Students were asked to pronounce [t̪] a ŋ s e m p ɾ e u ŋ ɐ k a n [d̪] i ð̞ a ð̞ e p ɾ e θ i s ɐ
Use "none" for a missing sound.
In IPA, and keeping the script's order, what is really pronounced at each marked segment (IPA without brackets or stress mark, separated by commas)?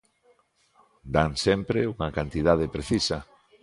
d̪, t̪